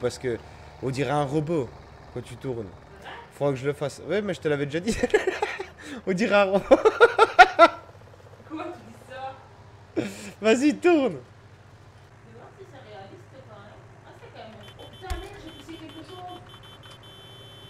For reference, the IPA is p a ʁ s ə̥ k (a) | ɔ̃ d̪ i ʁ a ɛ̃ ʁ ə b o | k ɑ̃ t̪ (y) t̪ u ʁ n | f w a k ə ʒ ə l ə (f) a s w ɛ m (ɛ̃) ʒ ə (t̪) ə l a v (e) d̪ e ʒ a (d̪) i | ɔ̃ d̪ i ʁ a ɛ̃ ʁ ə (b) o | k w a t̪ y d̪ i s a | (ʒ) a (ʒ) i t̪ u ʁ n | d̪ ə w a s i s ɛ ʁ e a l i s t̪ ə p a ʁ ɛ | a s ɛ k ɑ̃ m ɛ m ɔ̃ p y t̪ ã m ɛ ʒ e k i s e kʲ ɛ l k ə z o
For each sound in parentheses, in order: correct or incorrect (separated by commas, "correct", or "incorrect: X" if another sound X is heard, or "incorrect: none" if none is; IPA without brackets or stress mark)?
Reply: incorrect: ə, correct, correct, incorrect: ɛ, correct, incorrect: ɛ, correct, correct, incorrect: v, incorrect: z